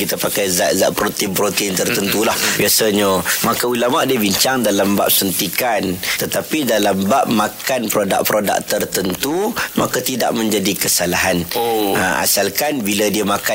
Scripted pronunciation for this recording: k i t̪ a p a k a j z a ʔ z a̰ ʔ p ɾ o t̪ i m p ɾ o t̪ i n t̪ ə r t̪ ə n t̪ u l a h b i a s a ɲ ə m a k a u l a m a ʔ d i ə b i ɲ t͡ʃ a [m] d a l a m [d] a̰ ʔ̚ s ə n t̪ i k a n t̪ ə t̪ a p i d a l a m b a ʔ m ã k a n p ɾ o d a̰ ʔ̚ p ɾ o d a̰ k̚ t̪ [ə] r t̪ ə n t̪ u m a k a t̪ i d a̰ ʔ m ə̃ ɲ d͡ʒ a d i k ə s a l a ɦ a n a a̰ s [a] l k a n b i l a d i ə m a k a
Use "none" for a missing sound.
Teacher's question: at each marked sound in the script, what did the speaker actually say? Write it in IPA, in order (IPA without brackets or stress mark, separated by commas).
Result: ŋ, b, ə, a